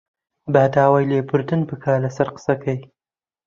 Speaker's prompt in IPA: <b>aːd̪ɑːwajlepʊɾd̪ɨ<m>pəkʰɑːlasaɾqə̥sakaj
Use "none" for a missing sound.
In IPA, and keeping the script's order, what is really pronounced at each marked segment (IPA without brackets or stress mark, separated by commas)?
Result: b, n